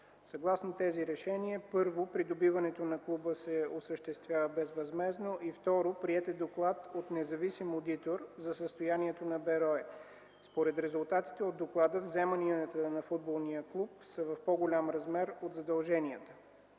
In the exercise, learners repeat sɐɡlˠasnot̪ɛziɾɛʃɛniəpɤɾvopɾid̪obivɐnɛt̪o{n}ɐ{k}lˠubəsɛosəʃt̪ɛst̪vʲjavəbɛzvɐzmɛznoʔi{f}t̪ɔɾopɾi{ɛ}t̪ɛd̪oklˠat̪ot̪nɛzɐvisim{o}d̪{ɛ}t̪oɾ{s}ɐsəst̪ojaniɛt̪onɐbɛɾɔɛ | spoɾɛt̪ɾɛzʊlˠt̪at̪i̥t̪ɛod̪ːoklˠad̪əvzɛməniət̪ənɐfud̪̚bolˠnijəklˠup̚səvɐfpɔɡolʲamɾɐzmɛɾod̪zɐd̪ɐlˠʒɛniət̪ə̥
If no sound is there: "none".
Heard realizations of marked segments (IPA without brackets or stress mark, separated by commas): n, k, f, ɛ, o, i, z